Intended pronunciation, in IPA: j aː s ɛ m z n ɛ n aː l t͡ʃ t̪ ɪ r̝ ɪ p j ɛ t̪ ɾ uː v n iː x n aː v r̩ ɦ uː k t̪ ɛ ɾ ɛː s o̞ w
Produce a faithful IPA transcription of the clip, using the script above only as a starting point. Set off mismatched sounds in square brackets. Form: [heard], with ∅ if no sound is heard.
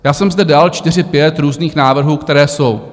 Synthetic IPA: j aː s ɛ m z [d] ɛ [d] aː l t͡ʃ t̪ ɪ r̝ ɪ p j ɛ t̪ ɾ uː [z] n iː x n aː v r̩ ɦ uː k t̪ ɛ ɾ ɛː s o̞ w